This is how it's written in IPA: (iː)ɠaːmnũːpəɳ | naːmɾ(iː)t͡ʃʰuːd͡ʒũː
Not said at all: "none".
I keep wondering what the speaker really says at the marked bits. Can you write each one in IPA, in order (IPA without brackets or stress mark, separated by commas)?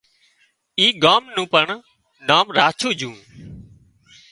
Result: iː, aː